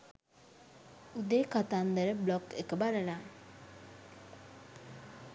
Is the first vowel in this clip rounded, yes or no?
yes